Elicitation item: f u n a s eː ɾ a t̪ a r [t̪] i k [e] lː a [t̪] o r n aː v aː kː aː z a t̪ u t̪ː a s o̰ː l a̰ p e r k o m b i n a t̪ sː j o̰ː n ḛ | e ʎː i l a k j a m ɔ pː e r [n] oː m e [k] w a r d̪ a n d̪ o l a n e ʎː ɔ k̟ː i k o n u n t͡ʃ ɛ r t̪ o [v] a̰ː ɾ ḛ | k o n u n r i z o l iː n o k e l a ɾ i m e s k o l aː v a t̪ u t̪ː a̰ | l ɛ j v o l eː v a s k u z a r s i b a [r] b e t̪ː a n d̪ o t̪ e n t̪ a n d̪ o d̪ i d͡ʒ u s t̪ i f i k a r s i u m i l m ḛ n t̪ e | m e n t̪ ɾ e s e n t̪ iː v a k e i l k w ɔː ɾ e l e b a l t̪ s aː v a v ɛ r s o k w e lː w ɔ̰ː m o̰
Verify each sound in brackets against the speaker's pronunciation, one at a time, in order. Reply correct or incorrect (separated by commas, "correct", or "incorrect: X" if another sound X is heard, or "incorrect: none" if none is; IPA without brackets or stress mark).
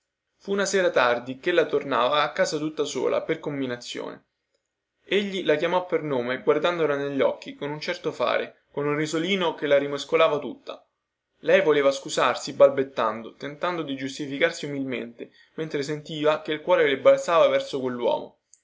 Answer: incorrect: d̪, correct, correct, correct, incorrect: ɡ, incorrect: f, incorrect: l